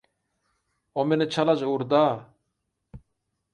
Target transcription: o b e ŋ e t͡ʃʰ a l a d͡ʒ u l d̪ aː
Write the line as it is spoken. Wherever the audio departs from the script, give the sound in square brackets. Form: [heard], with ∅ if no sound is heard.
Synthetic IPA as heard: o [m] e [n] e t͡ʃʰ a l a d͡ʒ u [ɾ] d̪ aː